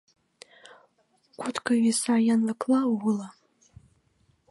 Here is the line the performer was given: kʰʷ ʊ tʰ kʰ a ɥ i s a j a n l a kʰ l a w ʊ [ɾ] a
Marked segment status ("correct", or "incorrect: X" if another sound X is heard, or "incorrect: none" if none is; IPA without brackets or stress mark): incorrect: l